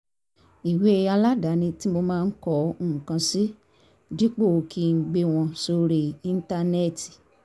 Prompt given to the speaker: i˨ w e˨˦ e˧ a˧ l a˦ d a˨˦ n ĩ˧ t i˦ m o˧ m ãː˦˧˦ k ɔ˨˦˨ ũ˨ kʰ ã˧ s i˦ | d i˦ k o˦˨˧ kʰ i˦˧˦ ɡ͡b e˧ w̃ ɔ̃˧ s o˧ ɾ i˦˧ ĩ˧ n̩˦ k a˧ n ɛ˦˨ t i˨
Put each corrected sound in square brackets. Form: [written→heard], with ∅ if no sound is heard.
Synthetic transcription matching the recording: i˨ w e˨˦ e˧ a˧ l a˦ d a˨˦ n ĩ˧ t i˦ m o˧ m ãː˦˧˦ k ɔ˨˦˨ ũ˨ [kʰ→k] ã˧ s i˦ | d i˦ [k→k͡p] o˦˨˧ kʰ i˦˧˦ ɡ͡b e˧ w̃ ɔ̃˧ s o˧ ɾ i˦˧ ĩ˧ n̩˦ [k→t] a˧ n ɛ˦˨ t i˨

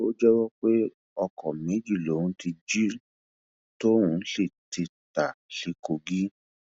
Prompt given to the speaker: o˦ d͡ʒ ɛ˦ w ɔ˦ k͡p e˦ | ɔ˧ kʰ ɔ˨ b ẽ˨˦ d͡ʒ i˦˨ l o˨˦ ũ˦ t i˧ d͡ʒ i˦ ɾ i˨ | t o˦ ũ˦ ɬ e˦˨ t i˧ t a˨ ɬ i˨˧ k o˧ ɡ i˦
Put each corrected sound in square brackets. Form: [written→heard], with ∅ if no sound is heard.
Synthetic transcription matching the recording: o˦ d͡ʒ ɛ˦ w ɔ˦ k͡p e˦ | ɔ˧ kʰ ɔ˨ [b→m] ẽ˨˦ d͡ʒ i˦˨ l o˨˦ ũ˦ t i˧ d͡ʒ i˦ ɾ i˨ | t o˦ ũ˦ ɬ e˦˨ t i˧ t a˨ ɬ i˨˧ k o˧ ɡ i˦

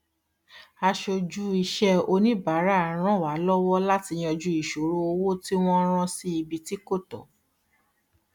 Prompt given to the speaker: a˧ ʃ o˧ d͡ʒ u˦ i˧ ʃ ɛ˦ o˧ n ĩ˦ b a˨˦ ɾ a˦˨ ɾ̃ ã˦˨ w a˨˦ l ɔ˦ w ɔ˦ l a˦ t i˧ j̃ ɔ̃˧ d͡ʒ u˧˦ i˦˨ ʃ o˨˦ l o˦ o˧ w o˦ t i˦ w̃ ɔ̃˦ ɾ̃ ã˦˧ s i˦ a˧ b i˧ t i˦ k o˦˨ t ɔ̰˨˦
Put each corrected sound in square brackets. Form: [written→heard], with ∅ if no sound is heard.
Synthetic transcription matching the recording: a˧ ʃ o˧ d͡ʒ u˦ i˧ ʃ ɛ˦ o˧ n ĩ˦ b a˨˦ ɾ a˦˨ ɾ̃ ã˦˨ w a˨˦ l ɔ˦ w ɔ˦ l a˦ t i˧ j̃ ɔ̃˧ d͡ʒ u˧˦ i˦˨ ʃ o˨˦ [l→ɾ] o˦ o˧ w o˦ t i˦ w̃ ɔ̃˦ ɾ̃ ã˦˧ s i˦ [a˧→i˧] b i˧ t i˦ k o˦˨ t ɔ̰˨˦

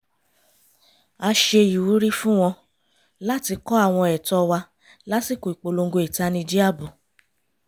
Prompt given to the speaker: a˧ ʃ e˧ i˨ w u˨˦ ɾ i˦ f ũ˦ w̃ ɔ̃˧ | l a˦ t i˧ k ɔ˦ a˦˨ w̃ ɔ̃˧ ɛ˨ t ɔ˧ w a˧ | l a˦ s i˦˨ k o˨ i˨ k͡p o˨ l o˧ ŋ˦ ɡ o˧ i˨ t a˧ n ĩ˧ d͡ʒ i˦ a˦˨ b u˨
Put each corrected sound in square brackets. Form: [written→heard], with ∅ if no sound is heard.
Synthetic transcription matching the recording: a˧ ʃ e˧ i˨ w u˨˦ ɾ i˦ f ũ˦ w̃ ɔ̃˧ | l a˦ t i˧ k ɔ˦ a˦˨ w̃ ɔ̃˧ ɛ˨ t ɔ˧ w a˧ | l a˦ s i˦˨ k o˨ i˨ k͡p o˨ l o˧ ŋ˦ ɡ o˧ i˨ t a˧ n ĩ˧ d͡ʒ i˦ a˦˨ b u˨

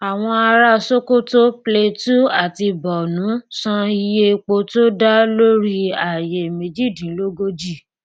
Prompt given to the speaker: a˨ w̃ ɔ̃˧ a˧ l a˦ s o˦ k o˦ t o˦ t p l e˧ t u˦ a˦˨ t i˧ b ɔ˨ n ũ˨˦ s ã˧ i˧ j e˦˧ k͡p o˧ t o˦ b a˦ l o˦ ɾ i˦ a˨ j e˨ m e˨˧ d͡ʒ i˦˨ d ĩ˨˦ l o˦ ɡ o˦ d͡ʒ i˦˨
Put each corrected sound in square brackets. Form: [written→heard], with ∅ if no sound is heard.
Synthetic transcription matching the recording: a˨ w̃ ɔ̃˧ a˧ [l→ɾ] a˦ s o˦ k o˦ t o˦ [t→∅] p l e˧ t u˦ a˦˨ t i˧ b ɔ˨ n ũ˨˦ s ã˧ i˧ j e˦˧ k͡p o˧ t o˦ [b→d] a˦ l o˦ ɾ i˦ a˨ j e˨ m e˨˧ d͡ʒ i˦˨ d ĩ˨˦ l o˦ ɡ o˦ d͡ʒ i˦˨

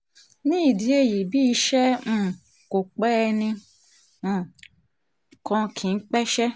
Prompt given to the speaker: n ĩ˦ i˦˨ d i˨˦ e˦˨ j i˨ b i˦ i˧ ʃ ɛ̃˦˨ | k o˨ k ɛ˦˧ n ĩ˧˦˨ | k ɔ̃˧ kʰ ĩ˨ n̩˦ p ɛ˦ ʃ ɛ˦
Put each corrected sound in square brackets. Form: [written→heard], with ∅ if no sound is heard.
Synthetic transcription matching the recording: n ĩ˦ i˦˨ d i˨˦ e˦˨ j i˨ b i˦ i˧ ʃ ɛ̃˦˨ | k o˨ [k→k͡p] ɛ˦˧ n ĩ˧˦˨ | k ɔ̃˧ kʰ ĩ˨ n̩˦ [p→k͡p] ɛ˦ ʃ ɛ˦

